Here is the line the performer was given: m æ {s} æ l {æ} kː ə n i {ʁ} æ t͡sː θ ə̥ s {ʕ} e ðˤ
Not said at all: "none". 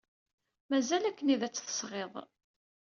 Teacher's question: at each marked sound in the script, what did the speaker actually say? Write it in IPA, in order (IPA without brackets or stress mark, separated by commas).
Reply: z, æ, ð, ʁ